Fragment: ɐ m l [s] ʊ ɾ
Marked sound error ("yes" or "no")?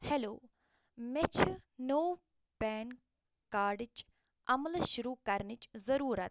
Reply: yes